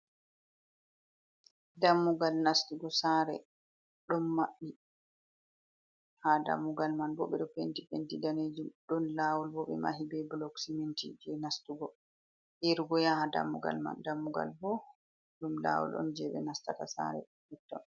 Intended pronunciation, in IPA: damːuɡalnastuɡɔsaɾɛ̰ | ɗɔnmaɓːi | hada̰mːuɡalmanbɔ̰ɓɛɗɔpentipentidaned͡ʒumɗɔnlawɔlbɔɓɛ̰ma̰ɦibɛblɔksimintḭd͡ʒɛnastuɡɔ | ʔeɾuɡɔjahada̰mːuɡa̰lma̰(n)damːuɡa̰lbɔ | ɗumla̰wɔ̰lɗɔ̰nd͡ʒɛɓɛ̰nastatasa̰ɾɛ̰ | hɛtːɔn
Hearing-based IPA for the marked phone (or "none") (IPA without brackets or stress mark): n